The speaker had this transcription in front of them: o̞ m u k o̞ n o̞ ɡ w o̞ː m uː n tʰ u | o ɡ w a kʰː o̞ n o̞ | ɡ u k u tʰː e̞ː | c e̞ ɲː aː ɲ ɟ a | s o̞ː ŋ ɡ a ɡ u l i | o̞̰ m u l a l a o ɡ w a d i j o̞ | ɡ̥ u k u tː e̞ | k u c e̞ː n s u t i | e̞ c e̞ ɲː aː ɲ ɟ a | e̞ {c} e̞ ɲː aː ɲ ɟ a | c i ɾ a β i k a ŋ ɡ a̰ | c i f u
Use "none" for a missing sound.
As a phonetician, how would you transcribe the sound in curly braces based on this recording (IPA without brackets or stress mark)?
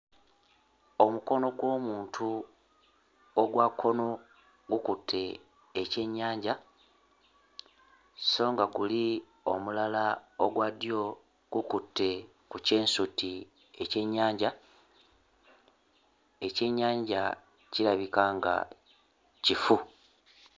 c